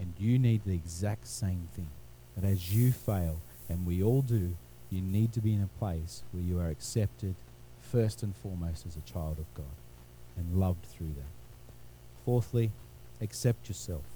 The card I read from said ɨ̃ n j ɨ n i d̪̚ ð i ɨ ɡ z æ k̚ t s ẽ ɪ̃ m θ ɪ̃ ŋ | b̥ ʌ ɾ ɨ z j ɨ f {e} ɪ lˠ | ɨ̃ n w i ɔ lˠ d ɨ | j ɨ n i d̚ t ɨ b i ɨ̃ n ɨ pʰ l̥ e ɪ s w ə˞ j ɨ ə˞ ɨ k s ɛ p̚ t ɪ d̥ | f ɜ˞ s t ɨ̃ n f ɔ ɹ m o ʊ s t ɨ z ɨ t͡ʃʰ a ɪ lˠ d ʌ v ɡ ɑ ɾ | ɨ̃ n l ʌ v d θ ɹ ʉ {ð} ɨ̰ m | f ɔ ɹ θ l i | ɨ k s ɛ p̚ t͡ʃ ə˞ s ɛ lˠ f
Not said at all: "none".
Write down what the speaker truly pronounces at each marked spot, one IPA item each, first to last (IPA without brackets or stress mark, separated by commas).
e, ð